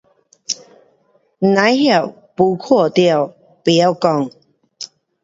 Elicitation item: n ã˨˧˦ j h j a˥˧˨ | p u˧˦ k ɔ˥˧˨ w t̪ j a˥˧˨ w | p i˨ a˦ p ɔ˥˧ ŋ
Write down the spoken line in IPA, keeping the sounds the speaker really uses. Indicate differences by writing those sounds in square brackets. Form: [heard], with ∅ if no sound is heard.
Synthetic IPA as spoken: n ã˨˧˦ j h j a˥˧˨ | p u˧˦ [kʰ] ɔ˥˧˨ [∅] t̪ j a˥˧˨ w | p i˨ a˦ [k] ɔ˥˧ ŋ